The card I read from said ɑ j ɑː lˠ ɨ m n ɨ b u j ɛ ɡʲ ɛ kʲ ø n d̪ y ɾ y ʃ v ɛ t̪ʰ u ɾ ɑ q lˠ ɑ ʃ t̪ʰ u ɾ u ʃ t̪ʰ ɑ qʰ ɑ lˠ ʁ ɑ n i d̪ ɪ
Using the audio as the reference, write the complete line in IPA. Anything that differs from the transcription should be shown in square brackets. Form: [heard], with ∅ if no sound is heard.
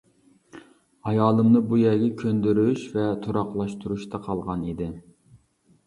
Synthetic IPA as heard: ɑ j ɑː lˠ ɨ m n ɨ b u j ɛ ɡʲ ɛ [kʲʰ] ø n d̪ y ɾ y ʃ v ɛ t̪ʰ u ɾ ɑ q lˠ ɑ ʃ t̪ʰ u ɾ u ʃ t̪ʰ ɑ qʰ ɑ lˠ ʁ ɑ n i d̪ ɪ